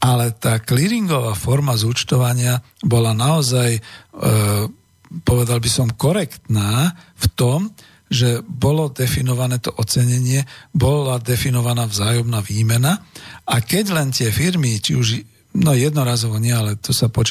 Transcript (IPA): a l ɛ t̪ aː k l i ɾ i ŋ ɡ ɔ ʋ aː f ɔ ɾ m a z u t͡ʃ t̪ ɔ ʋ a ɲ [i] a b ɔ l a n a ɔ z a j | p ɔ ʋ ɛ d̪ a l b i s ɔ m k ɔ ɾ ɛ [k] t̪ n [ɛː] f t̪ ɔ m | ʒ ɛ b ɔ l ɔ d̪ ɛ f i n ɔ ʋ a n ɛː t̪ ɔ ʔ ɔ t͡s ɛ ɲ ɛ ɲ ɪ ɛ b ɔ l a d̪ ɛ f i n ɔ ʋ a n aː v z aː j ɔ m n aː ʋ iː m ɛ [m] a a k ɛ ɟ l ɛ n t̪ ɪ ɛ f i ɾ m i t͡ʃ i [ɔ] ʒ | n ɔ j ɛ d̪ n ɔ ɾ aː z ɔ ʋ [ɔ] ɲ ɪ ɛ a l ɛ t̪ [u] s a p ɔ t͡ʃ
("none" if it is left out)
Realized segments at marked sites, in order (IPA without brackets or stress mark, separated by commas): ɪ, k, aː, n, u, ɔ, ɔ